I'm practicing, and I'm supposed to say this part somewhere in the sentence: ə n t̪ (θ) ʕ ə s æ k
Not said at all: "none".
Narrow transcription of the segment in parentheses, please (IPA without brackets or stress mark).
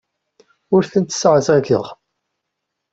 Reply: s